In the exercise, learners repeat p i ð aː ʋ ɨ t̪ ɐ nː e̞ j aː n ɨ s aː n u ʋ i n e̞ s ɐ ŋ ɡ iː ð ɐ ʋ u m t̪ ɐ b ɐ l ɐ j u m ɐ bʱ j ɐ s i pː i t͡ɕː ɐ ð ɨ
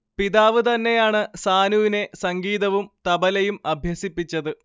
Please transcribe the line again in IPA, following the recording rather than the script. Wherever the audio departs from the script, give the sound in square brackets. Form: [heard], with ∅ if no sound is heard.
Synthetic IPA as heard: p i ð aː ʋ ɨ t̪ ɐ nː e̞ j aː [ɳ] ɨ s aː n u ʋ i n e̞ s ɐ ŋ ɡ iː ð ɐ ʋ u m t̪ ɐ b ɐ l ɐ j u m ɐ bʱ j ɐ s i pː i t͡ɕː ɐ ð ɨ

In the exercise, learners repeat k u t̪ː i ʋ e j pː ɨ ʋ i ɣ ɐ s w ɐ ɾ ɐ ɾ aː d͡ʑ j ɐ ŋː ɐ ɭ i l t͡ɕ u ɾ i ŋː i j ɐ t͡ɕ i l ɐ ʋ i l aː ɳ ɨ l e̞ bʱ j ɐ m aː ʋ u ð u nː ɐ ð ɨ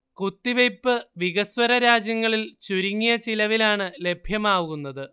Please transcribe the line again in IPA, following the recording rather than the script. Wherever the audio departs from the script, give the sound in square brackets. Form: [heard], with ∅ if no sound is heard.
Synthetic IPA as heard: k u t̪ː i ʋ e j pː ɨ ʋ i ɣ ɐ s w ɐ ɾ ɐ ɾ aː d͡ʑ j ɐ ŋː ɐ ɭ i l t͡ɕ u ɾ i ŋː i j ɐ t͡ɕ i l ɐ ʋ i l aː ɳ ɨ l e̞ bʱ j ɐ m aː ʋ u [ɣ] u nː ɐ ð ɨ

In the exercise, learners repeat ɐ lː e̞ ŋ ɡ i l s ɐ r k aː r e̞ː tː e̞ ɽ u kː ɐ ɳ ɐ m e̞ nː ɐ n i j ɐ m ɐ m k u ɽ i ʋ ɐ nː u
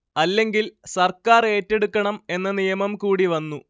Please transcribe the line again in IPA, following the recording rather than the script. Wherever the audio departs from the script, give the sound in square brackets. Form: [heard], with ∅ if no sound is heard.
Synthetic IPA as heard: ɐ lː e̞ ŋ ɡ i l s ɐ r k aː r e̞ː tː e̞ ɽ u kː ɐ ɳ ɐ m e̞ nː ɐ n i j ɐ m ɐ m k [uː] ɽ i ʋ ɐ nː u

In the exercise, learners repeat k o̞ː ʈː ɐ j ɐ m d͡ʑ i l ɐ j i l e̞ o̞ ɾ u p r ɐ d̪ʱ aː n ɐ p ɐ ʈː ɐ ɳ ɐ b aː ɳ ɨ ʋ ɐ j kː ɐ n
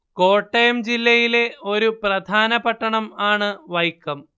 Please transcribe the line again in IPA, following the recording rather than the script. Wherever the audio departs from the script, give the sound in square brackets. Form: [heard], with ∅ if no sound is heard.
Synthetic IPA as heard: k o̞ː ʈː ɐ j ɐ m d͡ʑ i [lː] ɐ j i l e̞ o̞ ɾ u p r ɐ d̪ʱ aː n ɐ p ɐ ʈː ɐ ɳ ɐ [m] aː ɳ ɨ ʋ ɐ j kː ɐ [m]

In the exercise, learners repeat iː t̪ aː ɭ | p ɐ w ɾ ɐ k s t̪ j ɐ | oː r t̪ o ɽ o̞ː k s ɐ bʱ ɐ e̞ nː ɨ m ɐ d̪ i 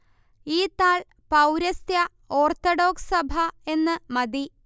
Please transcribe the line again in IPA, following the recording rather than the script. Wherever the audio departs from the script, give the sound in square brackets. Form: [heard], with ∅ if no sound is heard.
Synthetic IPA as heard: iː t̪ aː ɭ | p ɐ w ɾ ɐ [∅] s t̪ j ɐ | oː r t̪ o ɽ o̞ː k s ɐ bʱ ɐ e̞ nː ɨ m ɐ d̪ i

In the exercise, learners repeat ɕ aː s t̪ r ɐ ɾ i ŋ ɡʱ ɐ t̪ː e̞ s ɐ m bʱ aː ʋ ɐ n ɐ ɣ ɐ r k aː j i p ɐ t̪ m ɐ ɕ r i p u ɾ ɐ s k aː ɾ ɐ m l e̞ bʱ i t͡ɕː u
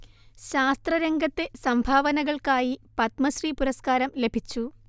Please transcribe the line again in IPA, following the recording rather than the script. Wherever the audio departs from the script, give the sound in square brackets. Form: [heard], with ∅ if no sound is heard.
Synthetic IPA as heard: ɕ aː s t̪ r ɐ ɾ [e] ŋ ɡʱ ɐ t̪ː e̞ s ɐ m bʱ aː ʋ ɐ n ɐ ɣ ɐ [ɭ] k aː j i p ɐ t̪ m ɐ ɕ r i p u ɾ ɐ s k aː ɾ ɐ m l e̞ bʱ i t͡ɕː u

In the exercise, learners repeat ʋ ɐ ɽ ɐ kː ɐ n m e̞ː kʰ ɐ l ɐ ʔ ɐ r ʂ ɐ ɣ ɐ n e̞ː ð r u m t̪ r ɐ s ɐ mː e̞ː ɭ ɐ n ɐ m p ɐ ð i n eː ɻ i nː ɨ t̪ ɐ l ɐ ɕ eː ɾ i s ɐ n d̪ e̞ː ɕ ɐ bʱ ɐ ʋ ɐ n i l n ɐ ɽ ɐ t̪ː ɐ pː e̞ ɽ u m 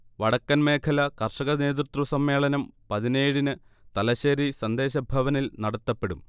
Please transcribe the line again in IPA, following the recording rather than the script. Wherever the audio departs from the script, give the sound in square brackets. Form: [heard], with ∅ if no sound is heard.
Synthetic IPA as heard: ʋ ɐ ɽ ɐ kː ɐ n m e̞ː kʰ ɐ l ɐ [k] ɐ r ʂ ɐ ɣ ɐ n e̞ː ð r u [∅] t̪ r ɐ s ɐ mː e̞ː ɭ ɐ n ɐ m p ɐ ð i n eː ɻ i [n] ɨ t̪ ɐ l ɐ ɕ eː ɾ i s ɐ n d̪ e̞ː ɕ ɐ bʱ ɐ ʋ ɐ n i l n ɐ ɽ ɐ t̪ː ɐ pː e̞ ɽ u m

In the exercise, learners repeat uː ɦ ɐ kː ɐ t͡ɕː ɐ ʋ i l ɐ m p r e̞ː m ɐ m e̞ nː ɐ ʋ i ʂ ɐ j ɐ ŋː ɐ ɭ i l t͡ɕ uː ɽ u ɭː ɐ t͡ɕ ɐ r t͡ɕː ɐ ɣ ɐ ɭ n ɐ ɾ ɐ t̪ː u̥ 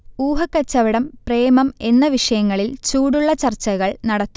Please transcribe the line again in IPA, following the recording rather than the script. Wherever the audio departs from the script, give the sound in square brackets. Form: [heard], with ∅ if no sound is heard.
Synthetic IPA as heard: uː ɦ ɐ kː ɐ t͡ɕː ɐ ʋ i [ɽ] ɐ m p r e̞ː m ɐ m e̞ nː ɐ ʋ i ʂ ɐ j ɐ ŋː ɐ ɭ i l t͡ɕ uː ɽ u ɭː ɐ t͡ɕ ɐ r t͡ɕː ɐ ɣ ɐ ɭ n ɐ [ɽ] ɐ t̪ː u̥

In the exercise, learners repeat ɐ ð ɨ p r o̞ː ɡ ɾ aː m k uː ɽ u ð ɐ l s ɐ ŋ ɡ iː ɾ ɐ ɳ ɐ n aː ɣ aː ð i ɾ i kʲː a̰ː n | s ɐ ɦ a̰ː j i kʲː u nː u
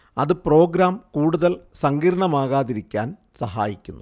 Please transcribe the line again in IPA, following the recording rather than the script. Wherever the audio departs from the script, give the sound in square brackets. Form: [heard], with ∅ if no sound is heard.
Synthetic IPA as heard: ɐ ð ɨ p r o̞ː ɡ ɾ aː m k uː ɽ u ð ɐ l s ɐ ŋ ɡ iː ɾ ɐ ɳ ɐ [m] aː ɣ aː ð i ɾ i kʲː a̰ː n | s ɐ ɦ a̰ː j i kʲː u nː u

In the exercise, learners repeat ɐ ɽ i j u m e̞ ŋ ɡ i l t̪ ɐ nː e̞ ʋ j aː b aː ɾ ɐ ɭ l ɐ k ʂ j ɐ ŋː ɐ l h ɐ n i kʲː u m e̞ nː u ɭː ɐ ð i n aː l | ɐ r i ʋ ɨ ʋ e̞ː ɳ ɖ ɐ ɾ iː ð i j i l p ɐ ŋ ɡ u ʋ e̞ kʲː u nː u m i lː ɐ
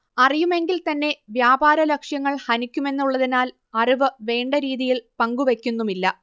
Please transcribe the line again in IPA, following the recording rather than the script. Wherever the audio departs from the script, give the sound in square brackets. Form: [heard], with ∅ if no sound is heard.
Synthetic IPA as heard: ɐ [r] i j u m e̞ ŋ ɡ i l t̪ ɐ nː e̞ ʋ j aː b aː ɾ ɐ [∅] l ɐ k ʂ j ɐ ŋː ɐ [ɭ] h ɐ n i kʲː u m e̞ nː u ɭː ɐ ð i n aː l | ɐ r i ʋ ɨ ʋ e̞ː ɳ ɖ ɐ ɾ iː ð i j i l p ɐ ŋ ɡ u ʋ e̞ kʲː u nː u m i lː ɐ

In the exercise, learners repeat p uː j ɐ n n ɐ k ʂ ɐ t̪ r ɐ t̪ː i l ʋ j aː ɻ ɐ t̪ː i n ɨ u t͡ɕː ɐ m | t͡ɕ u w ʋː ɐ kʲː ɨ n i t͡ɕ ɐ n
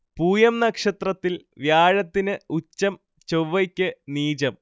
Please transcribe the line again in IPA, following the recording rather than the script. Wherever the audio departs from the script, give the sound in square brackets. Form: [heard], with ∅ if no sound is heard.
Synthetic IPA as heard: p uː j ɐ [m] n ɐ k ʂ ɐ t̪ r ɐ t̪ː i l ʋ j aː ɻ ɐ t̪ː i n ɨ u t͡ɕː ɐ m | t͡ɕ [o] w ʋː ɐ kʲː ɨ n [iː] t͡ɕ ɐ [m]

